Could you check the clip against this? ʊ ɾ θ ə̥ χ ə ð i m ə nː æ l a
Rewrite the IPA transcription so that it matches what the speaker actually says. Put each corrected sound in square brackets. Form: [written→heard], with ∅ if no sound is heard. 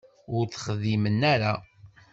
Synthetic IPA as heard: ʊ ɾ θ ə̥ χ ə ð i m ə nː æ [l→ɾ] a